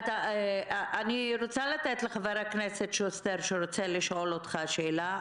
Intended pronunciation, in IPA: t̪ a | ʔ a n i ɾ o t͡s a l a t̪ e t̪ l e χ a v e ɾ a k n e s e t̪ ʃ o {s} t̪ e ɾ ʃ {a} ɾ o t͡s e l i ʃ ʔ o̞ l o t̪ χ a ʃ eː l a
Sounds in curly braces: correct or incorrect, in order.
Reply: correct, incorrect: e

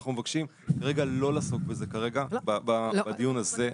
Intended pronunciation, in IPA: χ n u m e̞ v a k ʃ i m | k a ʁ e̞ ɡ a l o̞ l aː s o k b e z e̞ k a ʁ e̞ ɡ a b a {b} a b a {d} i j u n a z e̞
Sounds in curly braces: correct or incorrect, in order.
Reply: correct, correct

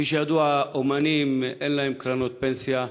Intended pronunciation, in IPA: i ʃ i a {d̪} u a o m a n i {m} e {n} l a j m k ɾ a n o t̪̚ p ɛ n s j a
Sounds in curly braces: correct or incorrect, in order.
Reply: correct, correct, correct

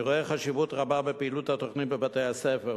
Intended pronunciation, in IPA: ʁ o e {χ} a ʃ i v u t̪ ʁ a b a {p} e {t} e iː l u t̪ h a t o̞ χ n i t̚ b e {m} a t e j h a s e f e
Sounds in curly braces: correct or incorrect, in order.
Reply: correct, incorrect: b, incorrect: p, incorrect: b

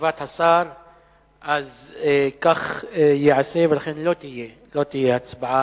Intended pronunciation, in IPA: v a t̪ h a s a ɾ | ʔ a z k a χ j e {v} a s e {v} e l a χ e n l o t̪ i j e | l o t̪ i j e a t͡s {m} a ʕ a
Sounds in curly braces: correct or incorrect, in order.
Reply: incorrect: ʕ, correct, incorrect: b

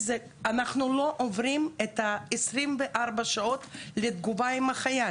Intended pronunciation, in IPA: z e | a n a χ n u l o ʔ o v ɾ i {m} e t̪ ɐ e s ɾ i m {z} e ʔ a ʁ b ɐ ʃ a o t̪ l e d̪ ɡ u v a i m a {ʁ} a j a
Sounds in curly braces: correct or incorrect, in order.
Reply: correct, incorrect: v, incorrect: χ

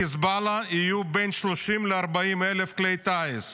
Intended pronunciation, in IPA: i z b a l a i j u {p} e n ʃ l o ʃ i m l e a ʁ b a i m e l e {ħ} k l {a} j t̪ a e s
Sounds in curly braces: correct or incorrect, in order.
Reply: incorrect: b, incorrect: f, incorrect: e

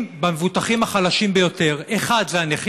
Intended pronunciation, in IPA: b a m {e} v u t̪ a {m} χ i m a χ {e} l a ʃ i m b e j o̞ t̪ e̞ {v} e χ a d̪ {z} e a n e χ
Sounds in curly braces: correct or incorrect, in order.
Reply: correct, incorrect: none, incorrect: a, incorrect: ʁ, correct

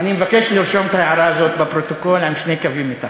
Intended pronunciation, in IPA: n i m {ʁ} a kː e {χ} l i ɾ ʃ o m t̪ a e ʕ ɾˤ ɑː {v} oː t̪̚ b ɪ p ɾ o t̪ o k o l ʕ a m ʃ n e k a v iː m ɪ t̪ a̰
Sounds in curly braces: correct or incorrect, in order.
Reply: incorrect: v, incorrect: ʃ, incorrect: z

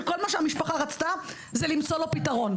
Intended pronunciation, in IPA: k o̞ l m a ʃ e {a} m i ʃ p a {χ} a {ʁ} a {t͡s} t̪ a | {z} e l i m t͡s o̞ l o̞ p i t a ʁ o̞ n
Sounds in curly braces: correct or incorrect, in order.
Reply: correct, correct, correct, correct, correct

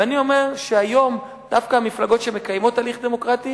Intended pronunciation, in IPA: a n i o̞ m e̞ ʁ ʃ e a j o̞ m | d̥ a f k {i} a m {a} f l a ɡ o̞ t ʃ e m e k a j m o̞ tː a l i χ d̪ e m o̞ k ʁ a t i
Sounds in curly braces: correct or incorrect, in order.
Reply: incorrect: a, incorrect: i

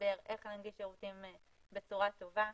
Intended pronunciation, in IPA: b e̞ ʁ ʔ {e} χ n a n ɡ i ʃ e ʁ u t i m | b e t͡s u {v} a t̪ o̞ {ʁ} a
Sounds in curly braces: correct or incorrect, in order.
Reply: correct, incorrect: ʁ, incorrect: v

